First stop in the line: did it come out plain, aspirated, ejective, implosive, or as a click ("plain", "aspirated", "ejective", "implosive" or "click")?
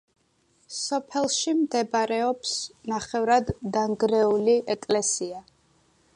aspirated